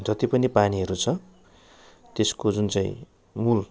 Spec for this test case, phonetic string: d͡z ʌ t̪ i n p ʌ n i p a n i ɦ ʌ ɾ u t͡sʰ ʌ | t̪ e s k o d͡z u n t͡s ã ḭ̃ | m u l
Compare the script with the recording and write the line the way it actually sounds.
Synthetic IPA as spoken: d͡z ʌ t̪ i p ʌ n i p a n i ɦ ʌ ɾ u t͡sʰ ʌ | t̪ e s k o d͡z u n t͡s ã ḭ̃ | m u l